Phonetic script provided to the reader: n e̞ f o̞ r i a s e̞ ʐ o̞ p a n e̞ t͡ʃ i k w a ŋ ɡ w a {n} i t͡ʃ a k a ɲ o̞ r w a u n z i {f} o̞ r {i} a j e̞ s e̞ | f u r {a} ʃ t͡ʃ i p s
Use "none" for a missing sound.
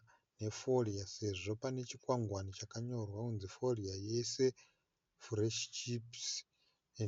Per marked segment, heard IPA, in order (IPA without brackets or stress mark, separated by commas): n, f, i, e